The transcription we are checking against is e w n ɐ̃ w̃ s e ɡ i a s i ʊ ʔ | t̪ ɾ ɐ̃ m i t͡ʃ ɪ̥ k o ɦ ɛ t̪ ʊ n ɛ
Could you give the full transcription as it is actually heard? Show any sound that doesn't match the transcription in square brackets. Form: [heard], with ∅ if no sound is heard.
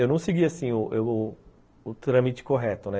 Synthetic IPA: e w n ɐ̃ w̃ s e ɡ i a s [ĩ] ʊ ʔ | t̪ ɾ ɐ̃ m i t͡ʃ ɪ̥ k o ɦ ɛ t̪ ʊ n ɛ